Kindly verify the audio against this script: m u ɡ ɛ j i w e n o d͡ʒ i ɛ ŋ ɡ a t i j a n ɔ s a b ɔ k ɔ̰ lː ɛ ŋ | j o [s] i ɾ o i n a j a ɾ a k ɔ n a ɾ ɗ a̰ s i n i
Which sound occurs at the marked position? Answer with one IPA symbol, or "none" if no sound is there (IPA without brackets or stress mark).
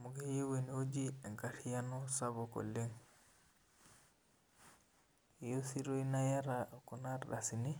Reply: s